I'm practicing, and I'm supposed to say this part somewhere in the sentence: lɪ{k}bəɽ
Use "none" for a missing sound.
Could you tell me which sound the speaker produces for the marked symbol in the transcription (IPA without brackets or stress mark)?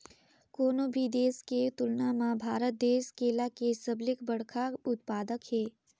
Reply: k